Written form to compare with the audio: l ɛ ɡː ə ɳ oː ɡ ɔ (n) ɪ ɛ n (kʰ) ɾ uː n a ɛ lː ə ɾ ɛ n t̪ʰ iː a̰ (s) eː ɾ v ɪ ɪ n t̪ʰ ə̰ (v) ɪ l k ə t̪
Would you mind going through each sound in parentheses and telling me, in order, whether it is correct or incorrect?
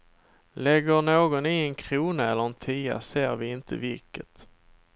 correct, correct, correct, correct

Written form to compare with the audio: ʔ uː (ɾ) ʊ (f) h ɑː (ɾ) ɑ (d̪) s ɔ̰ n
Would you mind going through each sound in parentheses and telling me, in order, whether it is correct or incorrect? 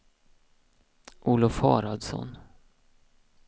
incorrect, correct, correct, correct

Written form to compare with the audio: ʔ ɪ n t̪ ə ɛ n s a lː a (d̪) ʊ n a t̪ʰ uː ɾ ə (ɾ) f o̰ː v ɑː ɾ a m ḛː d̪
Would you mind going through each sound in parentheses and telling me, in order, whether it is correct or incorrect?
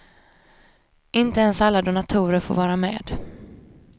correct, correct

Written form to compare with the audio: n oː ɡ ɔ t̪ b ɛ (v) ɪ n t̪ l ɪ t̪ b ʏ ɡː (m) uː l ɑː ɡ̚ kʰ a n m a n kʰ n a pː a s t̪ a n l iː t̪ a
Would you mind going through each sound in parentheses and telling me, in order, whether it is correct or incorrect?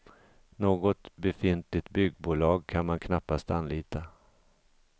incorrect, incorrect

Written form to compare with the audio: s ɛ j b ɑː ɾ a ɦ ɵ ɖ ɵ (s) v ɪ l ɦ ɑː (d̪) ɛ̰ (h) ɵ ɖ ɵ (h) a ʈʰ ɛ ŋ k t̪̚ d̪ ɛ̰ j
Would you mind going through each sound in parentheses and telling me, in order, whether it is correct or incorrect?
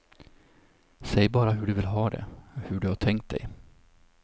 incorrect, correct, correct, correct

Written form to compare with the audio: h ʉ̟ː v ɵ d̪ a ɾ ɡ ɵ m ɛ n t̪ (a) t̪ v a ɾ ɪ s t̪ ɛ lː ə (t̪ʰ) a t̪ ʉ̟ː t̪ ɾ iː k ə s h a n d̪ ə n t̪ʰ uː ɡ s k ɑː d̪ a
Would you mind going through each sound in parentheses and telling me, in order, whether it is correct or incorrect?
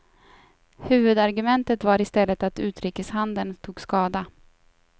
incorrect, incorrect

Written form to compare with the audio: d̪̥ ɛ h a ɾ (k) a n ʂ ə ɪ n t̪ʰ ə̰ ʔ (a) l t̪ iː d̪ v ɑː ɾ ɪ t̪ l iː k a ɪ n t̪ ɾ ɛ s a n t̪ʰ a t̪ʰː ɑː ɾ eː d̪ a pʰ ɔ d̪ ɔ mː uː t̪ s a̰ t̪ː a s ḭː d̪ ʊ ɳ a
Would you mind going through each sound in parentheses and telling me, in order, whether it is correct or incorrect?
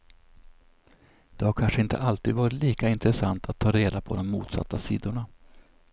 incorrect, correct

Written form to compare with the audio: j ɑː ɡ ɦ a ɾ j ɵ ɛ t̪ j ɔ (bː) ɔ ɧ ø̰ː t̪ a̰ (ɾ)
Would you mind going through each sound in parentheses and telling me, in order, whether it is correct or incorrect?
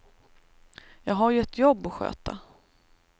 correct, incorrect

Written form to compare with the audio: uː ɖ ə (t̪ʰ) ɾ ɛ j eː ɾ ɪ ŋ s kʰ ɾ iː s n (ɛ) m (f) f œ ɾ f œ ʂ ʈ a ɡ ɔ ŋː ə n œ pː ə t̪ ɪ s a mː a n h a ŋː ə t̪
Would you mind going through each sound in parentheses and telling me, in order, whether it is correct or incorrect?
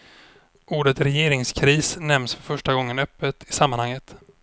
incorrect, correct, incorrect

